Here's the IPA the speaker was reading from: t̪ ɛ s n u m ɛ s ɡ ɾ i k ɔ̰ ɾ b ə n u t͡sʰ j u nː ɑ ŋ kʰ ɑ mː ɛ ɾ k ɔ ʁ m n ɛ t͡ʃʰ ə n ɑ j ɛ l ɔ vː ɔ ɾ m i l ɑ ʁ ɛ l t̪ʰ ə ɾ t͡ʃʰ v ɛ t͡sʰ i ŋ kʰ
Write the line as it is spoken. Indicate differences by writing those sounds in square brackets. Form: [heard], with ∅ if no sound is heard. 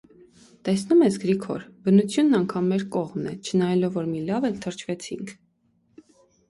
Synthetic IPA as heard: t̪ ɛ s n u m ɛ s ɡ ɾ i [kʰ] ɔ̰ ɾ b ə n u t͡sʰ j u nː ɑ ŋ kʰ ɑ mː ɛ ɾ k ɔ ʁ m n ɛ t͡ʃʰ ə n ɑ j ɛ l ɔ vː ɔ ɾ m i l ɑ [v] ɛ l t̪ʰ ə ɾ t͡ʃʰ v ɛ t͡sʰ i ŋ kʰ